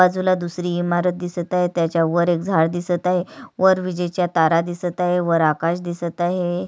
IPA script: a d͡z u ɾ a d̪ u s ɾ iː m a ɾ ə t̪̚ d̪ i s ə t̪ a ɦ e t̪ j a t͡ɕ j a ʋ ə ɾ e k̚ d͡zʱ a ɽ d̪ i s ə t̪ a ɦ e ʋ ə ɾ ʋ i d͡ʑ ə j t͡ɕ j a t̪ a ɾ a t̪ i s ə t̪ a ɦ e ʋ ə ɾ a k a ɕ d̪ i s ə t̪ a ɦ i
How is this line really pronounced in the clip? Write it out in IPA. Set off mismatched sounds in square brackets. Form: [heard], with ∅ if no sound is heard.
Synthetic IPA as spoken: a d͡z u [l] a d̪ u s ɾ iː m a ɾ ə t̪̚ d̪ i s ə t̪ a ɦ e t̪ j a t͡ɕ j a ʋ ə ɾ e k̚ d͡zʱ a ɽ d̪ i s ə t̪ a ɦ e ʋ ə ɾ ʋ i d͡ʑ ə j t͡ɕ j a t̪ a ɾ a [d̪] i s ə t̪ a ɦ e ʋ ə ɾ a k a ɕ d̪ i s ə t̪ a ɦ [e]